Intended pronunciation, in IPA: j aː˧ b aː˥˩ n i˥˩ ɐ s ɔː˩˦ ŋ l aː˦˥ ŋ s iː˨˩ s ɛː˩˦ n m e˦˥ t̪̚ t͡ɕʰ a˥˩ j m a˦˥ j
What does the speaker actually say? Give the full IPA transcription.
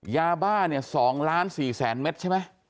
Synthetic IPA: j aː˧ b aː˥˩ n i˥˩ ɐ s ɔː˩˦ ŋ l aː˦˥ n s iː˨˩ s ɛː˩˦ n m e˦˥ t̪̚ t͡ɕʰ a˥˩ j m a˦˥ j